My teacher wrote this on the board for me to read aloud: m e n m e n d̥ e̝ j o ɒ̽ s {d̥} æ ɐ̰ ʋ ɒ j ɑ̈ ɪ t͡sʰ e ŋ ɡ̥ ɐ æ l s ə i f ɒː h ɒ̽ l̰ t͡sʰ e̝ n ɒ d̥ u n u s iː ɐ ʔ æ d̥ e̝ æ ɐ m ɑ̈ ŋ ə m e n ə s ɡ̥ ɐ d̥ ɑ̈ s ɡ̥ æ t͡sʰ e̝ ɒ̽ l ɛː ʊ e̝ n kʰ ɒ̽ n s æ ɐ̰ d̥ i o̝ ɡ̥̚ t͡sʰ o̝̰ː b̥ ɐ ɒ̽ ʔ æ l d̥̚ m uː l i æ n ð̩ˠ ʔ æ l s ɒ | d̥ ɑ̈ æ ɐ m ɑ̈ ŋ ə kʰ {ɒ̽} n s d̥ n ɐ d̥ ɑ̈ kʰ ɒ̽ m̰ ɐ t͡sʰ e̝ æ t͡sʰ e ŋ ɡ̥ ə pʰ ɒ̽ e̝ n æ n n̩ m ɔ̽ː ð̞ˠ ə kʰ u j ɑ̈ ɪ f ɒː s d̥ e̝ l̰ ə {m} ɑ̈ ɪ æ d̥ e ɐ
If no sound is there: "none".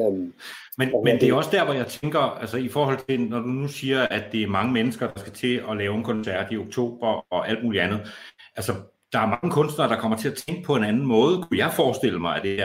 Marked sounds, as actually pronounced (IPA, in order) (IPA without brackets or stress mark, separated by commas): d̥, ɔ̽, m